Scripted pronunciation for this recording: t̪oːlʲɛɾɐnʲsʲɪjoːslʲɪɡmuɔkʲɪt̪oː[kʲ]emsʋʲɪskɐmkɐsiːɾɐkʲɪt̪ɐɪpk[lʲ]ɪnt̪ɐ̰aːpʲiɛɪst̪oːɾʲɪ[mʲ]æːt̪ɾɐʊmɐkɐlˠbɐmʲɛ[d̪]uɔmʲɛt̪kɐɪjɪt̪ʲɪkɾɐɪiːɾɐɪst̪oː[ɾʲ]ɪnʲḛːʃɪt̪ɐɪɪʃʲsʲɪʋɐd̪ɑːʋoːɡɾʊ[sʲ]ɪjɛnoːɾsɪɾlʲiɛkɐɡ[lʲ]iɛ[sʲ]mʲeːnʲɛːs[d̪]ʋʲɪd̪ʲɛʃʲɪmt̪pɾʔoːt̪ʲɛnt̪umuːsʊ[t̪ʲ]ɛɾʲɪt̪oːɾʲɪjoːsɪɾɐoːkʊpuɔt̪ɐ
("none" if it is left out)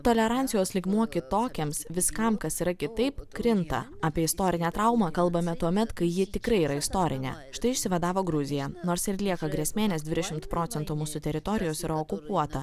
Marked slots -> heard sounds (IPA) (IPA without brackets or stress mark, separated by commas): kʲ, ɾʲ, nʲ, t̪, ɾʲ, zʲ, ɾʲ, sʲ, d̪, t̪ʲ